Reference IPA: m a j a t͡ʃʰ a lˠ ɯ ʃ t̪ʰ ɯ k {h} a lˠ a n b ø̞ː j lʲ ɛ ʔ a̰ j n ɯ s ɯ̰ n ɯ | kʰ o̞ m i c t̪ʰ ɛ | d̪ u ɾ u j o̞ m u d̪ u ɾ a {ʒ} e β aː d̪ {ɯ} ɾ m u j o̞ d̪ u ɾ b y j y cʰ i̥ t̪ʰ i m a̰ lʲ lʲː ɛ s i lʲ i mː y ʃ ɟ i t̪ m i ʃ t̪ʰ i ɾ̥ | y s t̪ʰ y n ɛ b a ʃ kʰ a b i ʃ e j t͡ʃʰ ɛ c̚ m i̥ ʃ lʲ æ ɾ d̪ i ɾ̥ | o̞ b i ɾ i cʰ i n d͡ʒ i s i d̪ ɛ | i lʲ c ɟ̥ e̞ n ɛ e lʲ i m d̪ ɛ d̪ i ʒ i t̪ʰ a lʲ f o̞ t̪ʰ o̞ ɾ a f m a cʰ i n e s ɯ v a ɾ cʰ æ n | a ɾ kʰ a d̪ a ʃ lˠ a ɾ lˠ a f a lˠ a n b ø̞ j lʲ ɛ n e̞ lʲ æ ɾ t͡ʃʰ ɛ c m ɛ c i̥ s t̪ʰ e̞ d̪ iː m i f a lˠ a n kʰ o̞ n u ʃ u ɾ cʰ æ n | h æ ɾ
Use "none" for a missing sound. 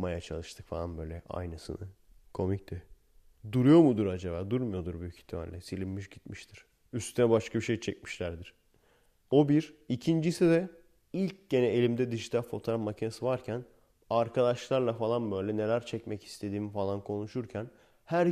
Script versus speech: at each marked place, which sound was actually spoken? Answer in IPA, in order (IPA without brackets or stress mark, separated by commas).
f, d͡ʒ, u